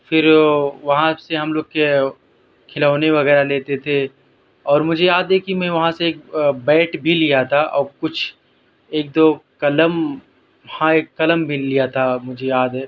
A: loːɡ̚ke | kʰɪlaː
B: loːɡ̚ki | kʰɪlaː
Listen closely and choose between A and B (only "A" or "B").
A